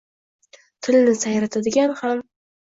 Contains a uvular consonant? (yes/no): no